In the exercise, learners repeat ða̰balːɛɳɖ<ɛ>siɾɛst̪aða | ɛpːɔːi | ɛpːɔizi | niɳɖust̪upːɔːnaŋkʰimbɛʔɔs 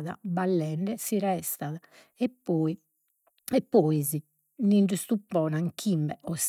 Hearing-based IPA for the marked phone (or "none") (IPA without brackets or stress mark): ɛ